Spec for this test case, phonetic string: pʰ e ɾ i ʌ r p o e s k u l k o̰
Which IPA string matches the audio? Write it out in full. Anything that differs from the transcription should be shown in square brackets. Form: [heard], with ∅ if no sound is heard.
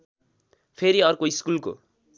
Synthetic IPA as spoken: pʰ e ɾ i ʌ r [k] o [i] s k u l k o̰